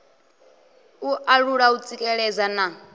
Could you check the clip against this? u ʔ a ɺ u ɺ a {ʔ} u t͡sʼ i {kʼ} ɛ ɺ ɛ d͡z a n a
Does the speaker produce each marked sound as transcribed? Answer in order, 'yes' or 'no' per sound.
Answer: no, yes

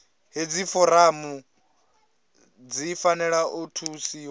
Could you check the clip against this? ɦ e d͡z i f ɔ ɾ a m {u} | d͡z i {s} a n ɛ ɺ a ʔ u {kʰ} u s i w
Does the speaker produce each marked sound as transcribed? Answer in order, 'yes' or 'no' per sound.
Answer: yes, no, no

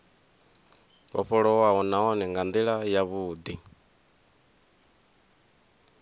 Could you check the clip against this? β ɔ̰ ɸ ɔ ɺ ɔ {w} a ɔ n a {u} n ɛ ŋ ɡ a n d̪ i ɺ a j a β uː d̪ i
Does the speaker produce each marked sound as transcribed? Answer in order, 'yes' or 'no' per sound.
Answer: yes, no

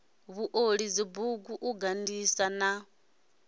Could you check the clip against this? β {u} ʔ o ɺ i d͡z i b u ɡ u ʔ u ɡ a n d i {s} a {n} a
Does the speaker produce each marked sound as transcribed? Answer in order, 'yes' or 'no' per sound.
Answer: yes, yes, yes

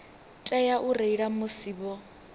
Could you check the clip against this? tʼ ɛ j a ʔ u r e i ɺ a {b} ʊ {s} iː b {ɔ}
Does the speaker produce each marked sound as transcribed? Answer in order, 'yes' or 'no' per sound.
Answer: no, yes, yes

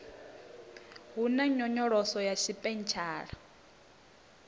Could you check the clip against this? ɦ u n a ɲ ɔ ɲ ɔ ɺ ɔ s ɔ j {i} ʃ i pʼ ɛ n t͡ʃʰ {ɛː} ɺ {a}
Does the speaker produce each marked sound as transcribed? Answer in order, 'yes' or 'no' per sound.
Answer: no, no, yes

